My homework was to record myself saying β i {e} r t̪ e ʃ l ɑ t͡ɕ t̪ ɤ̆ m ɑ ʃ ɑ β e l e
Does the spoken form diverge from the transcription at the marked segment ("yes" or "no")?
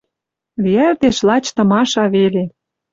yes